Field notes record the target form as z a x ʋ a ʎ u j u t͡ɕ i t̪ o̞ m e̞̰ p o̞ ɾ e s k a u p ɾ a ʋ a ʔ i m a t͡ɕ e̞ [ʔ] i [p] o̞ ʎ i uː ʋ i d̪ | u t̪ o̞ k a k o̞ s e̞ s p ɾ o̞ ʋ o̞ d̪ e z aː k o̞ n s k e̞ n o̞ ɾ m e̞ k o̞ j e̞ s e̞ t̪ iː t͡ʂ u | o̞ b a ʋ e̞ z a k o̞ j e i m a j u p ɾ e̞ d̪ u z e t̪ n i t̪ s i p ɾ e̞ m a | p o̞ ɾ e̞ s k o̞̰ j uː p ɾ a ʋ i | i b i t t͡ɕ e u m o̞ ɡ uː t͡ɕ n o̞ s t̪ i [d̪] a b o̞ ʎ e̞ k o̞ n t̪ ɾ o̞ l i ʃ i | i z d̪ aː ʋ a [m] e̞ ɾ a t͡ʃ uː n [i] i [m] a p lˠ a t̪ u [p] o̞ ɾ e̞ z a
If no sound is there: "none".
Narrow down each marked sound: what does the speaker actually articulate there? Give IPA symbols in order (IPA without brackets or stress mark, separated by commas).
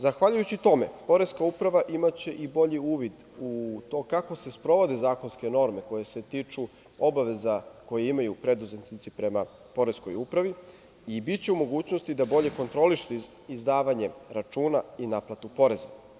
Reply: ʔ, b, d̪, ɲ, a, n, p